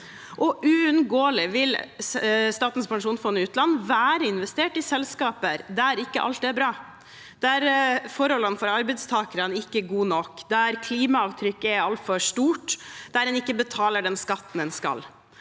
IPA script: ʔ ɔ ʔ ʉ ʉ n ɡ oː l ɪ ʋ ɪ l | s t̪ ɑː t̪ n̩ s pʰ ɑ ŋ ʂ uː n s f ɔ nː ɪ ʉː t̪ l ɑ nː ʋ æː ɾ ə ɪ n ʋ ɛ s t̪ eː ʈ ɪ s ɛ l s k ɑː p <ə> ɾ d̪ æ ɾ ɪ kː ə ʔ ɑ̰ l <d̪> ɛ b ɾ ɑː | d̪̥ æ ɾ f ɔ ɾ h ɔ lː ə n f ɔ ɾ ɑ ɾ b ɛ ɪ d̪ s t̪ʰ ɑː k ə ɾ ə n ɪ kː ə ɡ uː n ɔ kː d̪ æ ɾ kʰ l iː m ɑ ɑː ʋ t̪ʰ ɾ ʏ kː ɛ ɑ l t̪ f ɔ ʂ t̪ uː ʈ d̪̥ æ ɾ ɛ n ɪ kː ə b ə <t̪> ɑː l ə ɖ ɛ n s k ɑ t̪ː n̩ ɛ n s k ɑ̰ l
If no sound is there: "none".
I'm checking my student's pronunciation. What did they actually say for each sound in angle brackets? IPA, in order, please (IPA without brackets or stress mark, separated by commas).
ə, t̪, t̪ʰ